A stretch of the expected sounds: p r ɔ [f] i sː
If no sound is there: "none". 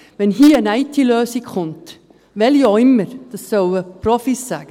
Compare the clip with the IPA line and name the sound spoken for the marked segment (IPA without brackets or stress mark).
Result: f